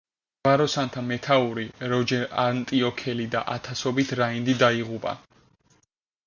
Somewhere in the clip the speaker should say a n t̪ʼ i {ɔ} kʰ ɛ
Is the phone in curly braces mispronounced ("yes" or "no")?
no